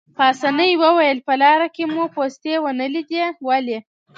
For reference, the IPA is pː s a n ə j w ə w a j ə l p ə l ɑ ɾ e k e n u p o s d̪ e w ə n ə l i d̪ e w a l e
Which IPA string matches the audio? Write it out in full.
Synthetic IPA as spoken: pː s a n ə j w ə w a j ə l p ə l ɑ ɾ a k e m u p o s t̪ e w ə n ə l i d̪ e w a l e